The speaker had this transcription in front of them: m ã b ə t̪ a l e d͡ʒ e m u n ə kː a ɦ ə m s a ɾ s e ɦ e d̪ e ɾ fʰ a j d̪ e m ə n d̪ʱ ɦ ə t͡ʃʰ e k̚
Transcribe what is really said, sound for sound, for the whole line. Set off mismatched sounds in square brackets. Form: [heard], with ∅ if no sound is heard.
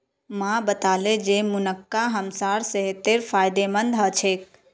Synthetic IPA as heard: m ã b ə t̪ a l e d͡ʒ e m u n ə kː a ɦ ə m s a ɾ s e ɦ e [t̪] e ɾ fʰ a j d̪ e m ə n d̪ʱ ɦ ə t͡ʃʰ e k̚